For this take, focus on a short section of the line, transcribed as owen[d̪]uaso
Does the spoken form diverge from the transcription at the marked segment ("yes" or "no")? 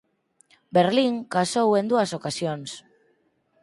no